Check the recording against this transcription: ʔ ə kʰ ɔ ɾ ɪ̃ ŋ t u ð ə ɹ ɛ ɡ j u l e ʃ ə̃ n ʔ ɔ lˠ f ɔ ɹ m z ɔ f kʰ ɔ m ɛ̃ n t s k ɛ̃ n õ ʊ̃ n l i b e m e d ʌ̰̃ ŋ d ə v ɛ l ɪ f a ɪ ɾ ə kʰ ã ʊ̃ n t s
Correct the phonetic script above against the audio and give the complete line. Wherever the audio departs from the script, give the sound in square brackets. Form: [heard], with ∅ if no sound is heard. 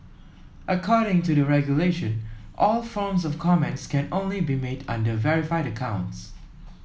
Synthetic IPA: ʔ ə kʰ ɔ ɾ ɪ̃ ŋ t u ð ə ɹ ɛ ɡ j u l e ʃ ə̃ n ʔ ɔ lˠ f ɔ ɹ m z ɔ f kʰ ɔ m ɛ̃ n t s k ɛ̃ n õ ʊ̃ n l i b [i] m e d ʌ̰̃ [n] d ə v ɛ [ɹ] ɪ f a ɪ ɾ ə kʰ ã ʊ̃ n t s